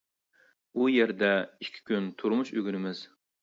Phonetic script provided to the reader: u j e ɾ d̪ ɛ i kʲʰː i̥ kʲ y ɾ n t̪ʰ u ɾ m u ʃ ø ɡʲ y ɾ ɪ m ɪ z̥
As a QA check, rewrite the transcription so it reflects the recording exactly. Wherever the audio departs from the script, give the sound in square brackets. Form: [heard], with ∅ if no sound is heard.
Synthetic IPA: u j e ɾ d̪ ɛ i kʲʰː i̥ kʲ y [∅] n t̪ʰ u ɾ m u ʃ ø ɡʲ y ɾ ɪ m ɪ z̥

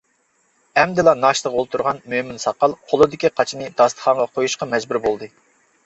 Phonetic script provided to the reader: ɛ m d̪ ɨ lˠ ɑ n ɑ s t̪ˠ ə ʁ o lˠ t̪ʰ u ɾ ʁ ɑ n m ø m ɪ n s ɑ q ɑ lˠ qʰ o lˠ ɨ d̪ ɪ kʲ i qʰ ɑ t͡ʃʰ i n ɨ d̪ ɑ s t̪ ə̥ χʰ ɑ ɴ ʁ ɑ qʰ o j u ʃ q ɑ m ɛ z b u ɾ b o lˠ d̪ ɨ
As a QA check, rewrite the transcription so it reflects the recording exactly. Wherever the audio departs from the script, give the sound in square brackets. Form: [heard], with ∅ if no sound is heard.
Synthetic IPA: ɛ m d̪ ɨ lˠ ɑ n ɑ [ʃ] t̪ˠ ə ʁ o lˠ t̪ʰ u ɾ ʁ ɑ n m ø m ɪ n s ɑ q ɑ lˠ qʰ o lˠ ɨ d̪ ɪ kʲ i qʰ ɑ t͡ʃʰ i n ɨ d̪ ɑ s t̪ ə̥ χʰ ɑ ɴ ʁ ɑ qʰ o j u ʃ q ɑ m ɛ z b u ɾ b o lˠ d̪ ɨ

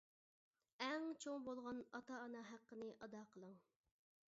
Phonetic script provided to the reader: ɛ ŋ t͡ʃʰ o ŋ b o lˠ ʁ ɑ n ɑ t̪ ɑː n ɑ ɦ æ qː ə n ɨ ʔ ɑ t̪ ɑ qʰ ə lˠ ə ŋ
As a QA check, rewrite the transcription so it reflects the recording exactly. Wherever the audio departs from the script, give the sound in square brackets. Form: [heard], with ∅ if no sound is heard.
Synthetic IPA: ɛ ŋ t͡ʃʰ o ŋ b o lˠ ʁ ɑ n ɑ t̪ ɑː n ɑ ɦ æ qː ə n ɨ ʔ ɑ [d̪] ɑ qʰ ə lˠ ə ŋ

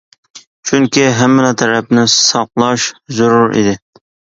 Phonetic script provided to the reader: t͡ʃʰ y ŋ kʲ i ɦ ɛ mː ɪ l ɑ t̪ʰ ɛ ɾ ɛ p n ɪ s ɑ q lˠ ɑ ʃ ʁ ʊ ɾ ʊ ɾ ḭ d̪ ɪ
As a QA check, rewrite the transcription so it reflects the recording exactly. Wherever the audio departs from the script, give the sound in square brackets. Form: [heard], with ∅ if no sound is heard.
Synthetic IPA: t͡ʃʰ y ŋ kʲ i ɦ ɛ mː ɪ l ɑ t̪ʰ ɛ ɾ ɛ p n ɪ s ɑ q lˠ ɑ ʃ [z] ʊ ɾ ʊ ɾ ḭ d̪ ɪ

